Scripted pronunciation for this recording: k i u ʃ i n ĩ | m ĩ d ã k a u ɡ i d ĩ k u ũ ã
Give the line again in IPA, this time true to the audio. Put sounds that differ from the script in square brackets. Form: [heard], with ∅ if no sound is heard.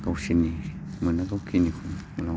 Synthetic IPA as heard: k [a] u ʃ i n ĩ | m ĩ [n] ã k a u [k] i [n] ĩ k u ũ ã